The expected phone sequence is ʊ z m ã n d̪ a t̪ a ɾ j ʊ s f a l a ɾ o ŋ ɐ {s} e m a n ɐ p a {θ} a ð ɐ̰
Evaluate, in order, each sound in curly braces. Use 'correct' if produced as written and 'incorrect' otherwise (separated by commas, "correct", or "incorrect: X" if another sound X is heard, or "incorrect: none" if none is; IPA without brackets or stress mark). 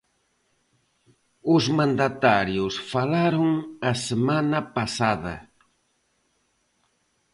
correct, incorrect: s